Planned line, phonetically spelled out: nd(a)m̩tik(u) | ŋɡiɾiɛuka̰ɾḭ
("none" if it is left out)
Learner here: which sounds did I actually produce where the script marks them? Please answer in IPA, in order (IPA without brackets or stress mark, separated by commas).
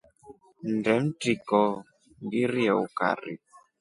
ɛ, ɔ